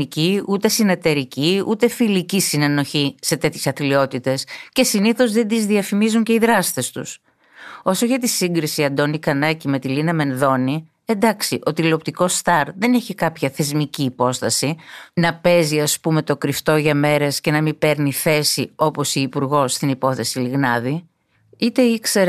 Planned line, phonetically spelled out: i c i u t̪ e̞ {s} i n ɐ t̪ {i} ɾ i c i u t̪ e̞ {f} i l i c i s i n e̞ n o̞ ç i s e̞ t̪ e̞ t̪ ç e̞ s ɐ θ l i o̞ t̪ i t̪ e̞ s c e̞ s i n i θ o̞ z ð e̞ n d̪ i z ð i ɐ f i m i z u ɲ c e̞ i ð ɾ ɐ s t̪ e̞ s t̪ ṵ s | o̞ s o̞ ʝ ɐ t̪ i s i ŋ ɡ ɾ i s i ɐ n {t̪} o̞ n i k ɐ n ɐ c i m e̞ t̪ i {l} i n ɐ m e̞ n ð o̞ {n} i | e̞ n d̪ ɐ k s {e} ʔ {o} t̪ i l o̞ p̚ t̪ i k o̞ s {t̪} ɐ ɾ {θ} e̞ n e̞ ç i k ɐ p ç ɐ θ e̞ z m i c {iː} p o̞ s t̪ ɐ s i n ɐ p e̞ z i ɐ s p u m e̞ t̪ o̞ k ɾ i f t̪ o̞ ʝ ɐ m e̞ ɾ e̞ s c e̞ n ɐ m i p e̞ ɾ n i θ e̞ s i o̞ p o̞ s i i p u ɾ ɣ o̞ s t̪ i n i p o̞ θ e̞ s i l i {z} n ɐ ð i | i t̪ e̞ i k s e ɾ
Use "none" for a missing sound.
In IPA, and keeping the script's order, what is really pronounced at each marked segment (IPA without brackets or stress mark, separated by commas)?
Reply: s, e, f, d̪, l, n, i, o, t̪, ð, iː, ɣ